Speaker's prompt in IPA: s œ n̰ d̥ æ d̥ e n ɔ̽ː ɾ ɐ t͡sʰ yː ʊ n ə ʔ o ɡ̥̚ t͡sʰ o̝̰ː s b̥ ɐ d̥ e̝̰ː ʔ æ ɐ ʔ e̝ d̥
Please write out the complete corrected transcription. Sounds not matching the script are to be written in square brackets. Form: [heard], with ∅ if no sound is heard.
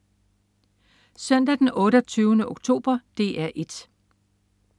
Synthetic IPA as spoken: s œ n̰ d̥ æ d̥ e n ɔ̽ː ɾ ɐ t͡sʰ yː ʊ n ə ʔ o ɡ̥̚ t͡sʰ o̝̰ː [∅] b̥ ɐ d̥ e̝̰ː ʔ æ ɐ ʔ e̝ d̥